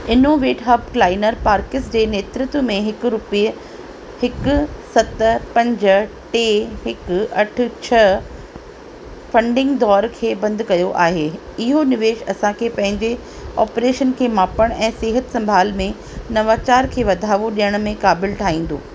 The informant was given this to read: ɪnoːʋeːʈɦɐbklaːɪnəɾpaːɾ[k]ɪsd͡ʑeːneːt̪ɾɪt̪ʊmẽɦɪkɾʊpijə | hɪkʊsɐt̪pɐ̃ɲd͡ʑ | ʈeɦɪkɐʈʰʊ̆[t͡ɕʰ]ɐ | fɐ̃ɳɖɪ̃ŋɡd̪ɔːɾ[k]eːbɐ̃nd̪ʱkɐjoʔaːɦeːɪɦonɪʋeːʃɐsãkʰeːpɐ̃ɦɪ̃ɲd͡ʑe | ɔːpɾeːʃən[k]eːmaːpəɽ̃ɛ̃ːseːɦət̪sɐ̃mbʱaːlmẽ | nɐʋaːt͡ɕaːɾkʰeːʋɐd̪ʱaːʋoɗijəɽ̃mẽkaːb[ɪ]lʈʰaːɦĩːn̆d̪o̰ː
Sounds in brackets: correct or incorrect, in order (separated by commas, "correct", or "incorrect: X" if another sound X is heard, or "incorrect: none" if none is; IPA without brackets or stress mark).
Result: correct, correct, incorrect: kʰ, incorrect: kʰ, correct